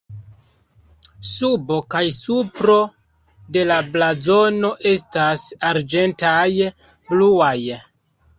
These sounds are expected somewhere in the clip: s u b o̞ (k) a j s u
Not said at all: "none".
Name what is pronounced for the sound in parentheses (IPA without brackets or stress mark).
k